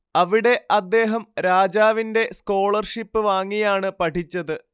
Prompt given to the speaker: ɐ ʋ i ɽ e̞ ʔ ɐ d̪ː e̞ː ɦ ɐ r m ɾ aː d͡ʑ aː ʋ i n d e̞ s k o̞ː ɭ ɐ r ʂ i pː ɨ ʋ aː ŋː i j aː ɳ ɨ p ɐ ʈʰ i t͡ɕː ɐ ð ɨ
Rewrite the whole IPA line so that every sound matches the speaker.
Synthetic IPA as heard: ɐ ʋ i ɽ e̞ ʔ ɐ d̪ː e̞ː ɦ ɐ m ɾ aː d͡ʑ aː ʋ i n d e̞ s k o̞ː ɭ ɐ r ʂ i pː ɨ ʋ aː ŋː i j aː ɳ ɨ p ɐ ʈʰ i t͡ɕː ɐ ð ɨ